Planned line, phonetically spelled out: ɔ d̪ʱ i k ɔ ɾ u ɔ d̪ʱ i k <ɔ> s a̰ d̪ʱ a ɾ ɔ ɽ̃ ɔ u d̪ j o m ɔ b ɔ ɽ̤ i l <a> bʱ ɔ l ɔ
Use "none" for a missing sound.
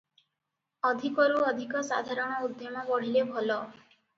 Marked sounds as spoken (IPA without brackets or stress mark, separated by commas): ɔ, e